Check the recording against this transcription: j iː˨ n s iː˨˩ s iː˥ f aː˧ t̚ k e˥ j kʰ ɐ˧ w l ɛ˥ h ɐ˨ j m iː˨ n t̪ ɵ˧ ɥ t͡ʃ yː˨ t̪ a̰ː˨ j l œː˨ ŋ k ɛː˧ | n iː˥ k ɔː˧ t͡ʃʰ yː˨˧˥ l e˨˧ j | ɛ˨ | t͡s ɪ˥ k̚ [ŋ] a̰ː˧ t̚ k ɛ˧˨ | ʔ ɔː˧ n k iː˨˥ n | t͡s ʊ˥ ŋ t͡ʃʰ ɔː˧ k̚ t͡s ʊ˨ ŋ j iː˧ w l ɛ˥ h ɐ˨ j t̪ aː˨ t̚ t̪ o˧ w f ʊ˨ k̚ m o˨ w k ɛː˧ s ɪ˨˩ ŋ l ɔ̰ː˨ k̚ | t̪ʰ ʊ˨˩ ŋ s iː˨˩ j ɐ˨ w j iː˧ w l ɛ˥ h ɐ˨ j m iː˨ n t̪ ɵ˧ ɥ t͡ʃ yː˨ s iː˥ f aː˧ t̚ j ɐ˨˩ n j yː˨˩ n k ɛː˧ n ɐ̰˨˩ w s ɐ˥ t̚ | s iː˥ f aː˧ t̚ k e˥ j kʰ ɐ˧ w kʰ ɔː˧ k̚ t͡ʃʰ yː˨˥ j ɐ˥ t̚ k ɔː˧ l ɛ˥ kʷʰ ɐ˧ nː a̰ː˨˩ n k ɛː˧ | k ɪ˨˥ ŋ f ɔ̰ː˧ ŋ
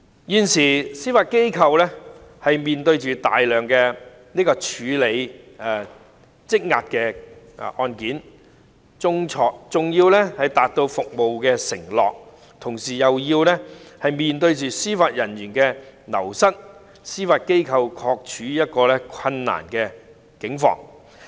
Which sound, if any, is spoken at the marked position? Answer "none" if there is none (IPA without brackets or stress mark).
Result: ŋ